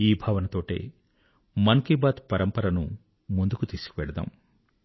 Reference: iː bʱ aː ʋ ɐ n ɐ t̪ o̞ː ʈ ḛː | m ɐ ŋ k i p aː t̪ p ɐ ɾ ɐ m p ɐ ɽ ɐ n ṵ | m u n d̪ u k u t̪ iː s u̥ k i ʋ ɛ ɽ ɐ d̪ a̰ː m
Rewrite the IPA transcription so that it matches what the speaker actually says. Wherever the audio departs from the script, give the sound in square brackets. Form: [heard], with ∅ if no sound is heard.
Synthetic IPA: iː bʱ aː ʋ ɐ n ɐ t̪ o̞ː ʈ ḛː | m ɐ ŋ k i [b] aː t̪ p ɐ ɾ ɐ m p ɐ [ɾ] ɐ n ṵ | m u n d̪ u k u t̪ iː s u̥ k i ʋ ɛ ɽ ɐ d̪ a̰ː m